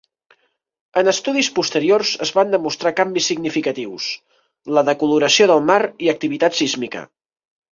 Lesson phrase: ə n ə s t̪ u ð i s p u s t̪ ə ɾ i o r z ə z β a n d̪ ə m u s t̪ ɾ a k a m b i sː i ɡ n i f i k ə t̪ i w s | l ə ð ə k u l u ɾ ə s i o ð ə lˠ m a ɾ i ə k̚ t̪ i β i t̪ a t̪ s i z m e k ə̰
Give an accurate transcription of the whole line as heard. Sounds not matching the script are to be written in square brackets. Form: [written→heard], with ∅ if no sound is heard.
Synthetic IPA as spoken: ə n ə s t̪ u ð i s p u s t̪ ə ɾ i o r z ə z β a n d̪ ə m u s t̪ ɾ a k a m b i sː i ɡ n i f i k ə t̪ i w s | l ə ð ə k u l u ɾ ə s i o ð ə lˠ m a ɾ i ə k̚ t̪ i β i t̪ a t̪ s i z m [e→i] k ə̰